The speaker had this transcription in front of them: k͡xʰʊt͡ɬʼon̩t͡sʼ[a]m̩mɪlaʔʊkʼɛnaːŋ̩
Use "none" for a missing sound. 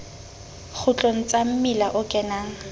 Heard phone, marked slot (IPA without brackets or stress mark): a